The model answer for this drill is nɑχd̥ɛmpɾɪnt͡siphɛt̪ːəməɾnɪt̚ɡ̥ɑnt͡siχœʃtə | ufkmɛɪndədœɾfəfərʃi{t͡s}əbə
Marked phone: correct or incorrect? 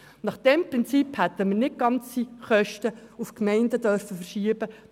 incorrect